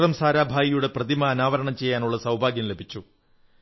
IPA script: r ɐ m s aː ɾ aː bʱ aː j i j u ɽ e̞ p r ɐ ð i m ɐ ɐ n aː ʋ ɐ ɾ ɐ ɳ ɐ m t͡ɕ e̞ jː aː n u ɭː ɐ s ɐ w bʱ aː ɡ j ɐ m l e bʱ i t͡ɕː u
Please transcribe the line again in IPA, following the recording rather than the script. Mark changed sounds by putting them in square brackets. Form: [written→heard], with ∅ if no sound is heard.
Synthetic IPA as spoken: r ɐ m s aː ɾ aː bʱ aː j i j u ɽ e̞ p r ɐ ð i m ɐ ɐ n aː ʋ ɐ ɾ ɐ ɳ ɐ m t͡ɕ e̞ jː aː n u ɭː ɐ s ɐ w bʱ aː ɡ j ɐ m l e bʱ i t͡ɕː u